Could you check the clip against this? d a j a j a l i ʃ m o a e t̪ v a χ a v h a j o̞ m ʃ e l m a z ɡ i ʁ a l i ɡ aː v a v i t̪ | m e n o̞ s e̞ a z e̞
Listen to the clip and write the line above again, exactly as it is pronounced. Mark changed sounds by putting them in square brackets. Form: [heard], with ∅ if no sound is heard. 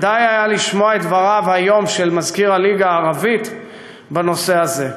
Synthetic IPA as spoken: d a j a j a l i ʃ m o a e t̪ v a [ʁ] a v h a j o̞ m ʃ e l m a z [k] i ʁ a l i ɡ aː [ʁ] a v i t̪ | [b] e n o̞ s e̞ a z e̞